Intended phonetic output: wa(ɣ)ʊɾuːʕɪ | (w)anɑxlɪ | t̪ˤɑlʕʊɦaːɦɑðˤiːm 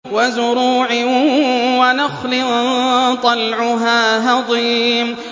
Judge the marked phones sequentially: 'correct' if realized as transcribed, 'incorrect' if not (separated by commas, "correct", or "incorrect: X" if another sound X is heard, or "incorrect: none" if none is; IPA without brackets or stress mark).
incorrect: z, correct